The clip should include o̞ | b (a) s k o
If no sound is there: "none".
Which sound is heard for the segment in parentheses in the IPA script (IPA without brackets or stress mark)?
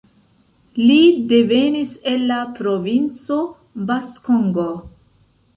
a